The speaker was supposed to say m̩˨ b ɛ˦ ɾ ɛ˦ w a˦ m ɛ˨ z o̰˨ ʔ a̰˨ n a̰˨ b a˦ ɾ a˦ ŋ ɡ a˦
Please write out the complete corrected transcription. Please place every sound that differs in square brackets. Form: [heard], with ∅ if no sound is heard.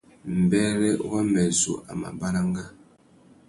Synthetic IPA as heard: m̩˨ b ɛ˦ ɾ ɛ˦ w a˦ m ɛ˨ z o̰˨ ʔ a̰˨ [m] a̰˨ b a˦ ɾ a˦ ŋ ɡ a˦